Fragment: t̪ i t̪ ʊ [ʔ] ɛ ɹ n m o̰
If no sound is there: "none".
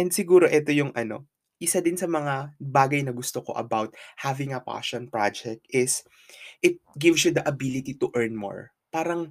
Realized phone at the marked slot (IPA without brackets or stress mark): ʔ